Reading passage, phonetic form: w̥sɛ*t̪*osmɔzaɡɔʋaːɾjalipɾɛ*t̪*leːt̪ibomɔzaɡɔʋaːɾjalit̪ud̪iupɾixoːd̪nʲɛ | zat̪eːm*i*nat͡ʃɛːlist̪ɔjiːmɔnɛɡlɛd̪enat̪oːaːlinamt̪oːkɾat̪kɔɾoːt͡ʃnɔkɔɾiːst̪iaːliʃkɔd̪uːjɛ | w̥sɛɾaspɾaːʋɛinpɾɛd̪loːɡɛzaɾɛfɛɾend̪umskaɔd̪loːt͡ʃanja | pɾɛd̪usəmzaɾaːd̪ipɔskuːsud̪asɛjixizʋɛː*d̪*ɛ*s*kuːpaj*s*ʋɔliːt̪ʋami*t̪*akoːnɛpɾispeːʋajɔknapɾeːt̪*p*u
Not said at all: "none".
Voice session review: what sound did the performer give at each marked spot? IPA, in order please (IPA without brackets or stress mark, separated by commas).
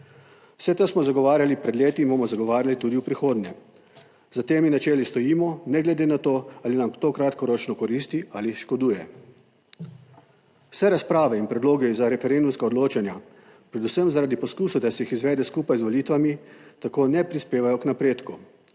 t̪, d̪, i, d̪, s, z, t̪, k